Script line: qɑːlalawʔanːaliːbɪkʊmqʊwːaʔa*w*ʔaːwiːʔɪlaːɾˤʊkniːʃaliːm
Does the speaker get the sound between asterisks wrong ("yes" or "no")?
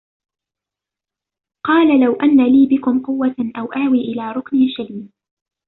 no